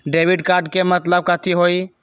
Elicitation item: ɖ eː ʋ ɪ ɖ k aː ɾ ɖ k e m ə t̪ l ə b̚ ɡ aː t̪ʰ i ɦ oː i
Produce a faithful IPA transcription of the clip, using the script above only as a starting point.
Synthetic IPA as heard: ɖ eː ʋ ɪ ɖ k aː ɾ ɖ k e m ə t̪ l ə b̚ k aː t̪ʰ i ɦ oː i

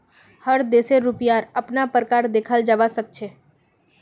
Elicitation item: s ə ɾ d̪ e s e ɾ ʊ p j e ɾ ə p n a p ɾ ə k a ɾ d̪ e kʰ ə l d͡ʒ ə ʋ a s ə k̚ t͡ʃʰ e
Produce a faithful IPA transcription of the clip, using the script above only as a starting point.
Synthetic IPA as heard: h ə ɾ d̪ e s e ɾ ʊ p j a ɾ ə p n a p ɾ ə k a ɾ d̪ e kʰ ə l d͡ʒ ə ʋ a s ə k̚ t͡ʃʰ e

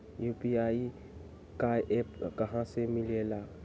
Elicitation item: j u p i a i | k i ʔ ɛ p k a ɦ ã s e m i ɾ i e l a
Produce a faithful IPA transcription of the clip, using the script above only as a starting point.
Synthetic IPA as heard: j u p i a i | k a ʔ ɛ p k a ɦ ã s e m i l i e l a

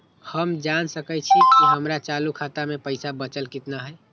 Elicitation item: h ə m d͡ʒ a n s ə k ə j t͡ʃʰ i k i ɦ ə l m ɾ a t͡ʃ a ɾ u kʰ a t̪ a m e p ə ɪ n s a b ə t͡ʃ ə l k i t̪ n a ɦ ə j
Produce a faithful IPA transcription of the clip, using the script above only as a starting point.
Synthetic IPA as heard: h ə m d͡ʒ a n s ə k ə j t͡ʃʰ i k i ɦ ə m ɾ a t͡ʃ a l u kʰ a t̪ a m e p ə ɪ s a b ə t͡ʃ ə l k i t̪ n a ɦ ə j

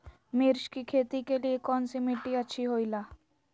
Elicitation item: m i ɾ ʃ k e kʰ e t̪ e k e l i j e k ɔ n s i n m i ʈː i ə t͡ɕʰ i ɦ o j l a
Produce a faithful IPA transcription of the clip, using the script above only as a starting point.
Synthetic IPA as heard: m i ɾ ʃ k i kʰ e t̪ i k e l i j e k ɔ n s i m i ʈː i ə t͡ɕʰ i ɦ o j l a

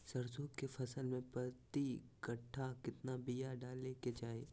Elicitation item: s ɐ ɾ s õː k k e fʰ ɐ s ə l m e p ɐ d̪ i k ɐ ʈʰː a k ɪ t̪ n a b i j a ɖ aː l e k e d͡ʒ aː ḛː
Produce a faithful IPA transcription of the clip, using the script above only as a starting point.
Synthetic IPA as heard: s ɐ ɾ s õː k k e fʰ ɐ s ə l m ẽ p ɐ t̪ i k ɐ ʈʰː a k ɪ t̪ n a b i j a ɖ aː l e k e d͡ʒ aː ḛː

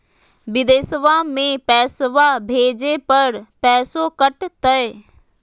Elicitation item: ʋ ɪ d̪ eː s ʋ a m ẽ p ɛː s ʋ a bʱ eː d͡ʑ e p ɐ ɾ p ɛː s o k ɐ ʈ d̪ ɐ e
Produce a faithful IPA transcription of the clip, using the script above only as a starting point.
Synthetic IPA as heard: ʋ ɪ d̪ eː s ʋ a m ẽ p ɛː s ʋ a bʱ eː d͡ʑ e p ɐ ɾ p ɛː s o k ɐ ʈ t̪ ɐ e

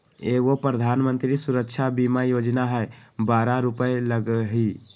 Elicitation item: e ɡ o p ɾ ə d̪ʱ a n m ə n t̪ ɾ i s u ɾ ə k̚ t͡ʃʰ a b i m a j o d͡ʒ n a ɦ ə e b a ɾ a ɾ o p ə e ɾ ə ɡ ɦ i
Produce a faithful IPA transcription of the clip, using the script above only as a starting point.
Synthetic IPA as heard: e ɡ o p ɾ ə d̪ʱ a n m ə n t̪ ɾ i s u ɾ ə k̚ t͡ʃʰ a b i m a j o d͡ʒ n a ɦ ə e b a ɾ a ɾ u p ə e l ə ɡ ɦ i

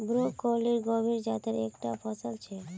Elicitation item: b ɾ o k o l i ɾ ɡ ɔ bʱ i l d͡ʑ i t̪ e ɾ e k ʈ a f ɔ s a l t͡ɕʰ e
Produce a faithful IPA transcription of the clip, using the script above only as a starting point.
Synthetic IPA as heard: b ɾ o k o l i ɾ ɡ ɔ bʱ i ɾ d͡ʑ a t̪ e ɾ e k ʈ a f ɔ s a l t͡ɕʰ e

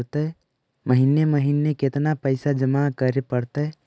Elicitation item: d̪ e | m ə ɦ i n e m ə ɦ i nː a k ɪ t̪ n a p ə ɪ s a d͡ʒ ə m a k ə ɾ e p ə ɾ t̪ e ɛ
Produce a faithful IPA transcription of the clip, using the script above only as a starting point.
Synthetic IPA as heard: t̪ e | m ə ɦ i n e m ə ɦ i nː e k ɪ t̪ n a p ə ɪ s a d͡ʒ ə m a k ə ɾ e p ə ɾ t̪ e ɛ

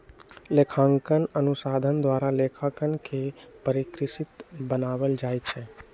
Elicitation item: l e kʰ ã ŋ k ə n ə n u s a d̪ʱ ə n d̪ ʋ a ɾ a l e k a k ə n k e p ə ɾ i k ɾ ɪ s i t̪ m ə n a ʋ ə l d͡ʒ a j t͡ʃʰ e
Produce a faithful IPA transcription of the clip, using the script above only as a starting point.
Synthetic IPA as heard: l e kʰ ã ŋ k ə n ə n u s a d̪ʱ ə n d̪ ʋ a ɾ a l e kʰ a k ə n k e p ə ɾ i k ɾ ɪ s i t̪ b ə n a ʋ ə l d͡ʒ a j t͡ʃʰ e

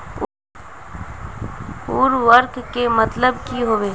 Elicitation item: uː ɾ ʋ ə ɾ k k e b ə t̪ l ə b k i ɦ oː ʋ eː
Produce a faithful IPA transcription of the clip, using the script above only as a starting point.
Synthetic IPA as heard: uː ɾ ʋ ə ɾ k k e m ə t̪ l ə b k i ɦ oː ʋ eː

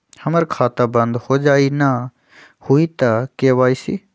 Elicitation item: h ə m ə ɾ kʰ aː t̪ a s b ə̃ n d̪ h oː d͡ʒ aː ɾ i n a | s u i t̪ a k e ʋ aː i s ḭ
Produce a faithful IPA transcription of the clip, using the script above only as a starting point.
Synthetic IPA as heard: h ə m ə ɾ kʰ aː t̪ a b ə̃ n d̪ h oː d͡ʒ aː i n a | h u i t̪ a k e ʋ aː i s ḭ

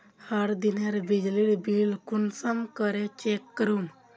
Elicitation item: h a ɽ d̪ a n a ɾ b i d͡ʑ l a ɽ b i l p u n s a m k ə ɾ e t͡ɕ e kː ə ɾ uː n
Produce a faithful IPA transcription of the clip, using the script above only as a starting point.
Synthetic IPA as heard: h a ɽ d̪ i n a ɾ b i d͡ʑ l i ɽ b i l k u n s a m k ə ɾ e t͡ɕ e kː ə ɾ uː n

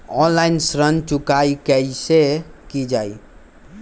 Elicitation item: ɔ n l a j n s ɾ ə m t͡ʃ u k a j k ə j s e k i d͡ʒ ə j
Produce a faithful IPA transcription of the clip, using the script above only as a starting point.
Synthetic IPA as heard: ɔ n l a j n s ɾ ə n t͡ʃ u k a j k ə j s e k i d͡ʒ a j

